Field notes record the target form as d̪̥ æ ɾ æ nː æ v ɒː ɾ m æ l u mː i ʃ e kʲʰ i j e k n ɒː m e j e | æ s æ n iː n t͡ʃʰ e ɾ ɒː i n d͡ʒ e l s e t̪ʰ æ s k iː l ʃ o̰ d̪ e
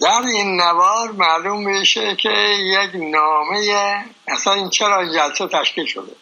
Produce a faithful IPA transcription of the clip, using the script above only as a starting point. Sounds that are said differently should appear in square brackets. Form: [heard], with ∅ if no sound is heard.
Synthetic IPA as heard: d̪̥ æ ɾ [i] nː æ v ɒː ɾ m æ l u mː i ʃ e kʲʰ [e] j e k n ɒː m e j e | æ s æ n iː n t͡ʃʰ e ɾ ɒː i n d͡ʒ [æ] l s e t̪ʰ æ [ʃ] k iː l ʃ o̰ d̪ e